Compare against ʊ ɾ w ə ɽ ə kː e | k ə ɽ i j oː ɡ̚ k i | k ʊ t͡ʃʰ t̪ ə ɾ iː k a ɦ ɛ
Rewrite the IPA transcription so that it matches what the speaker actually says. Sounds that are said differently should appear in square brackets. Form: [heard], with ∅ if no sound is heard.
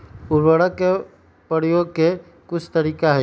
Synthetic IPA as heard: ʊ ɾ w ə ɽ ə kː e | [p] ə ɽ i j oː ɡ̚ k [e] | k ʊ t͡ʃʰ t̪ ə ɾ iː k a ɦ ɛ